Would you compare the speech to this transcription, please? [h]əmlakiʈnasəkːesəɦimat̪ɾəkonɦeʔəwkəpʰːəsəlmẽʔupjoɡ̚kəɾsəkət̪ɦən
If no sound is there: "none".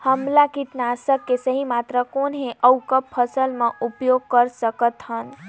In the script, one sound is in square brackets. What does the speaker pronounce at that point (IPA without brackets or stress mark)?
h